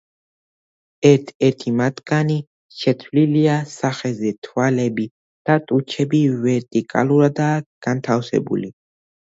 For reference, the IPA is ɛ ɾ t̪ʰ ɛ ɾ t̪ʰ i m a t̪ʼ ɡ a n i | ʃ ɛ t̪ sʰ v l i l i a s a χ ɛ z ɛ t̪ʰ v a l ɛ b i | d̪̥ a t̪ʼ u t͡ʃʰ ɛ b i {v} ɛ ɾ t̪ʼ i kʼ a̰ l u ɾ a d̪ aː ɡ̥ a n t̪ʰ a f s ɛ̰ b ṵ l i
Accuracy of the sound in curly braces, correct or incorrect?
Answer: correct